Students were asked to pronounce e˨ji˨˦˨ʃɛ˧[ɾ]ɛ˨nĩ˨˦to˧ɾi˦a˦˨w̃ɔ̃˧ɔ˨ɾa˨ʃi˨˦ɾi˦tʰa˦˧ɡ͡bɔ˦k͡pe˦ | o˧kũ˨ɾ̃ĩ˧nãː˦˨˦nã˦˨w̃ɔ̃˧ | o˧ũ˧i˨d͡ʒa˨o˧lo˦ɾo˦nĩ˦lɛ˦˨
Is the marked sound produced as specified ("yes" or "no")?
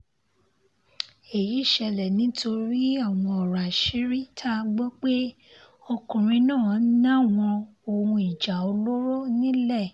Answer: no